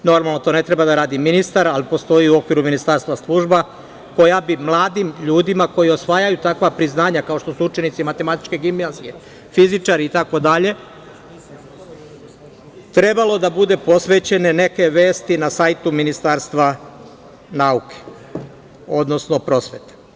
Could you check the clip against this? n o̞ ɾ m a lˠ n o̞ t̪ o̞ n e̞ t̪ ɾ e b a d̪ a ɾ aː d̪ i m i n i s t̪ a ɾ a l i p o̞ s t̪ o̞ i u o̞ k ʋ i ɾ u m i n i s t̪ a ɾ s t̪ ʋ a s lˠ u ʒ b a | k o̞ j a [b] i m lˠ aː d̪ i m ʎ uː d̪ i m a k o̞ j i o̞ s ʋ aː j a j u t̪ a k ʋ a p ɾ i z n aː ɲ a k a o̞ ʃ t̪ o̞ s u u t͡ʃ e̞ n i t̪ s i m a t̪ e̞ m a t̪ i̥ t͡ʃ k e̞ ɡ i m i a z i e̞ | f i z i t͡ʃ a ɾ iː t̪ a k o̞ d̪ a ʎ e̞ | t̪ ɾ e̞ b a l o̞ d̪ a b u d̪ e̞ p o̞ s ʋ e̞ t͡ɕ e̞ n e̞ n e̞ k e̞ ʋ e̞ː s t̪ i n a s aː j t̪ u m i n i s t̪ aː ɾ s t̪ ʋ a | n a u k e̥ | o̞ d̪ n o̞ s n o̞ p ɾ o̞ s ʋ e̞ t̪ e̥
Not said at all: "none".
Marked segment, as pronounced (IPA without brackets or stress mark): b